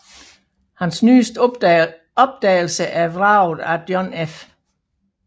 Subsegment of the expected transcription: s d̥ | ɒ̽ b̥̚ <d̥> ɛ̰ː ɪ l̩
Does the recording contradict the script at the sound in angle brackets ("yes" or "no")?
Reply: no